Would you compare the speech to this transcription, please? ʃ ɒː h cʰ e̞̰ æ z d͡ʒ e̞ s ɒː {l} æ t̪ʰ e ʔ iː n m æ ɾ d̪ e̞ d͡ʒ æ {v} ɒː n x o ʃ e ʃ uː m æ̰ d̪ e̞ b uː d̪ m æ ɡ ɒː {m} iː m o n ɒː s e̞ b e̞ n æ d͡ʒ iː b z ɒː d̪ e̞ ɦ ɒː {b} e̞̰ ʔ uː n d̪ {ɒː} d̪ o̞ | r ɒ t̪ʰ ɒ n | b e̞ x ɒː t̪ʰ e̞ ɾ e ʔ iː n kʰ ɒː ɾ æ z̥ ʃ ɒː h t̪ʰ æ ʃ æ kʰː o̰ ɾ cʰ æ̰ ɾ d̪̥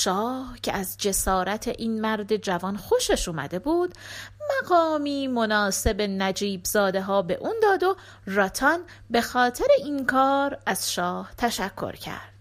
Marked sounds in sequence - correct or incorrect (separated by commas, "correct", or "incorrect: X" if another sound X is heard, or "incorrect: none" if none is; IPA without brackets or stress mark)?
incorrect: ɾ, correct, correct, correct, correct